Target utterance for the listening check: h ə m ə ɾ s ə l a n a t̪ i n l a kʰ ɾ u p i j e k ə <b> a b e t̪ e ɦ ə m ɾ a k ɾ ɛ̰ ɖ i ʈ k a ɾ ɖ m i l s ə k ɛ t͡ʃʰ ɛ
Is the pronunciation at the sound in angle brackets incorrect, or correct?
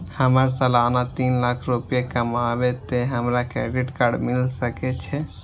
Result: incorrect